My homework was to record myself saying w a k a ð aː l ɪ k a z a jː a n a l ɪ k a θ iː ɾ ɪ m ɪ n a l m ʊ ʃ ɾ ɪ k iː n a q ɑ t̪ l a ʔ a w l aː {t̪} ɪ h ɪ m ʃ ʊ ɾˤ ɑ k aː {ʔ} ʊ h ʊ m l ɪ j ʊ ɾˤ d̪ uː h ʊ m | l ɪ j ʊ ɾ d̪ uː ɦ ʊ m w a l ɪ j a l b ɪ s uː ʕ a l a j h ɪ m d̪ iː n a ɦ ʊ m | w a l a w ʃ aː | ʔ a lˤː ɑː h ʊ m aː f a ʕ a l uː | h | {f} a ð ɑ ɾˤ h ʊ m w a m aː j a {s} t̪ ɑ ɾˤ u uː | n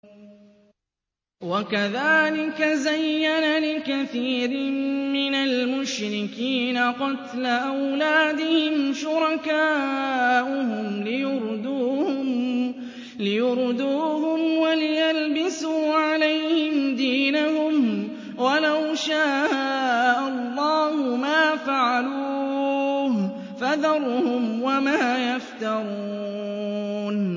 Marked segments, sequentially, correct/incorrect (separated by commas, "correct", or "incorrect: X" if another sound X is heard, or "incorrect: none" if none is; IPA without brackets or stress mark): incorrect: d̪, correct, correct, incorrect: f